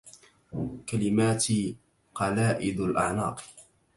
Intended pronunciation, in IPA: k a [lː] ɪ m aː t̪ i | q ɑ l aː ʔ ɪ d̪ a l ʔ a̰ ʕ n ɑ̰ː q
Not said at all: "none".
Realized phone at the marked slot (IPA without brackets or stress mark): l